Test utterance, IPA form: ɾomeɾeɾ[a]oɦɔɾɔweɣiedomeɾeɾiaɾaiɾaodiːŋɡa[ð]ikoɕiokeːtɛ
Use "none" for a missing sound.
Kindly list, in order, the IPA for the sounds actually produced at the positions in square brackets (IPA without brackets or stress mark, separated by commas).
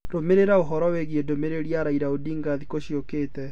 a, ð